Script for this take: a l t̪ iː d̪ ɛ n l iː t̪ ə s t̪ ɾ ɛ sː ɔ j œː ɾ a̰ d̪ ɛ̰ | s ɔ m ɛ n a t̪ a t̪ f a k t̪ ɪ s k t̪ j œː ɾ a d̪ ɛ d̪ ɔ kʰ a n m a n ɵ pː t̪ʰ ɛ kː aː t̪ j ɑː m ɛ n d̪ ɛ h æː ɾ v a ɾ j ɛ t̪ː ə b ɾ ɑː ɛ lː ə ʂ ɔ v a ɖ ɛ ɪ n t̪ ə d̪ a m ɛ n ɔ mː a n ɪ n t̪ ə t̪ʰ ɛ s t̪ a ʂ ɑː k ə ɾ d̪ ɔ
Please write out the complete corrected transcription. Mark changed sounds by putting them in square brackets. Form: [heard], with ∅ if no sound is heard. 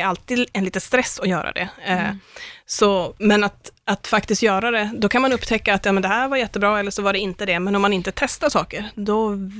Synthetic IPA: a l t̪ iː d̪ ɛ n l iː t̪ ə s t̪ ɾ ɛ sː ɔ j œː ɾ a̰ d̪ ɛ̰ | s ɔ m ɛ n a t̪ a t̪ f a k t̪ ɪ s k t̪ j œː ɾ a d̪ ɛ d̪ ɔ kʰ a n m a n ɵ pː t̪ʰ ɛ kː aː t̪ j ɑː m ɛ n d̪ ɛ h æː ɾ v a ɾ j ɛ t̪ː ə b ɾ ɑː ɛ lː ə ʂ ɔ v a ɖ ɛ ɪ n t̪ ə d̪ [ɛ] m ɛ n ɔ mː a n ɪ n t̪ ə t̪ʰ ɛ s t̪ a ʂ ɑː k ə ɾ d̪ ɔ